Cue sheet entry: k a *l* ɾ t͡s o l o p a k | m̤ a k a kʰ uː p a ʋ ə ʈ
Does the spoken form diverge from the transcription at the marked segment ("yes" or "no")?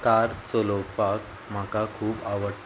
yes